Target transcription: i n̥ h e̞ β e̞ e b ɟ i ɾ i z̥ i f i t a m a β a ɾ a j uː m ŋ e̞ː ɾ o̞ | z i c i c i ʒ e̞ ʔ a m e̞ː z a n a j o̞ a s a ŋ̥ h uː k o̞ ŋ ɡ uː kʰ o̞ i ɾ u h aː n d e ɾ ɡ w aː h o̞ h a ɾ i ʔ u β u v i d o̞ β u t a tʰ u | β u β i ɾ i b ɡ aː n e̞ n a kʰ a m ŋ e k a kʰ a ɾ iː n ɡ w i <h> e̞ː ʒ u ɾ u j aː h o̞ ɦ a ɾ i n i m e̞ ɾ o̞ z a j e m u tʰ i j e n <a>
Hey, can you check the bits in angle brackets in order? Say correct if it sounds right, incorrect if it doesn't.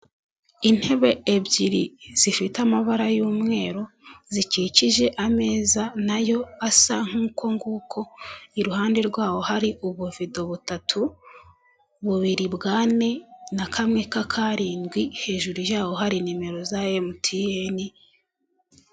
correct, incorrect

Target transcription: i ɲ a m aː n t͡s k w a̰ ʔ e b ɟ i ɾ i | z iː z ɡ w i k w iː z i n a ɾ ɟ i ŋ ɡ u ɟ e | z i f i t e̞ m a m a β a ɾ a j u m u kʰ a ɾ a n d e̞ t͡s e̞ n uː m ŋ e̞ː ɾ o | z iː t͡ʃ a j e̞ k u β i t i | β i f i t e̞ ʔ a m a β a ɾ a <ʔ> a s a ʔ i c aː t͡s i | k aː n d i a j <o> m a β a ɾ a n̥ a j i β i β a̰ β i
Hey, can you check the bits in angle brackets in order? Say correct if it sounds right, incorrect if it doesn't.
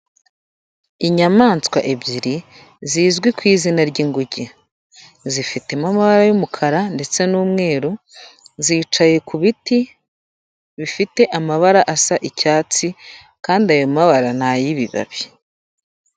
correct, correct

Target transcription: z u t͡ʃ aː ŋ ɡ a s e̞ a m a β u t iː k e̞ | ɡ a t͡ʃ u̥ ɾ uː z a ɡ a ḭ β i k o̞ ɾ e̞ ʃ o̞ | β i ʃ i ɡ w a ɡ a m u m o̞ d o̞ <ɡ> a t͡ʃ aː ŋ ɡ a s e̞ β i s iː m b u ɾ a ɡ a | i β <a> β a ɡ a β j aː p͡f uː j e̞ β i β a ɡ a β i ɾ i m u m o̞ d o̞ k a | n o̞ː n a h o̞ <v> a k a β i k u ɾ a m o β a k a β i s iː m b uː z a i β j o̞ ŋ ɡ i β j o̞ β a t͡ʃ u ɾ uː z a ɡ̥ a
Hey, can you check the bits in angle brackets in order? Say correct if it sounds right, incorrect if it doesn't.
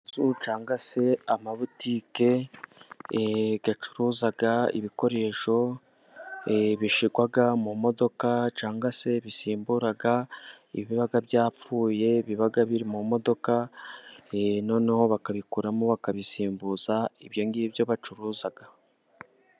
incorrect, incorrect, incorrect

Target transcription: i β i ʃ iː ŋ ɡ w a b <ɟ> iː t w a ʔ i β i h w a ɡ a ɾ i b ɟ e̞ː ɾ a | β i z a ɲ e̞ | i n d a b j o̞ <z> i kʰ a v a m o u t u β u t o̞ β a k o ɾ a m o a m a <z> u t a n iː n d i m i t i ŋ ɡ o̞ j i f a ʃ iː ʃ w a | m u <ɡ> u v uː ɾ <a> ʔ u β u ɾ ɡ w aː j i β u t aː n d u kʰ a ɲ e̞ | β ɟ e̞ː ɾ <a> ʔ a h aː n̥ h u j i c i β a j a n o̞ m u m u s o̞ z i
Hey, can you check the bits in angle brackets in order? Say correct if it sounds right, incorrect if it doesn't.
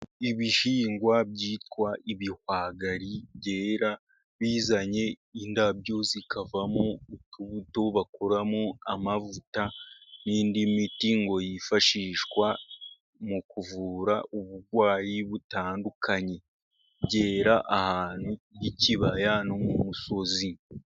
correct, correct, incorrect, incorrect, correct, correct

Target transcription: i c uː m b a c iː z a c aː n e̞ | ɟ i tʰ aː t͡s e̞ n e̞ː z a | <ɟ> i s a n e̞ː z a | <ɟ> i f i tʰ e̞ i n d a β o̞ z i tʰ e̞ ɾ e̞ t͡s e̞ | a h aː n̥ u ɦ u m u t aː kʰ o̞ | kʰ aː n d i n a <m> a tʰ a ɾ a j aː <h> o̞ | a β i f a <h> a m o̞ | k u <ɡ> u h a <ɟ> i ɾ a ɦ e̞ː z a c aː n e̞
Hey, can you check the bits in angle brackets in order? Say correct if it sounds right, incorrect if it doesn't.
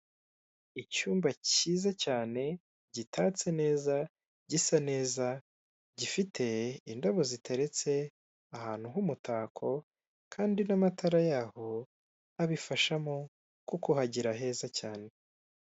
correct, correct, correct, correct, incorrect, incorrect, correct

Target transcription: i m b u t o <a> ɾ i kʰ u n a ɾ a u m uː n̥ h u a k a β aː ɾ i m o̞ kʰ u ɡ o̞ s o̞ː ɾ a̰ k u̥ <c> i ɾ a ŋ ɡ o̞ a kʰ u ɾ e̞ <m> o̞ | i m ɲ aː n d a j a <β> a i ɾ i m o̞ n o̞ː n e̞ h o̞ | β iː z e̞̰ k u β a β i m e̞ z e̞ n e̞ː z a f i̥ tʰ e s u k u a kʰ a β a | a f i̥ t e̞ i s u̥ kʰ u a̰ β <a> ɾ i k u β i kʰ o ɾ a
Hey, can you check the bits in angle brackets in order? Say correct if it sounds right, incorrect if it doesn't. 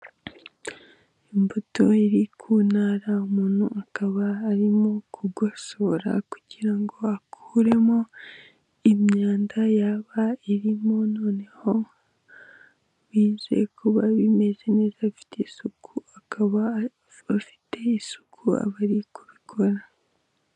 incorrect, incorrect, correct, correct, correct

